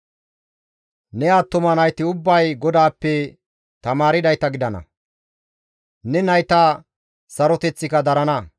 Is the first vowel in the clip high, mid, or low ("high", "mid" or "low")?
mid